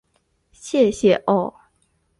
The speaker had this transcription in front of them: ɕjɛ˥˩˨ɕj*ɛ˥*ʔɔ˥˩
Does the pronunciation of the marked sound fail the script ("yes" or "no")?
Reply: yes